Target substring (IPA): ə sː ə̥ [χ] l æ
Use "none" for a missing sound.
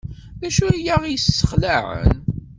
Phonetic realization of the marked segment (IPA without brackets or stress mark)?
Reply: χ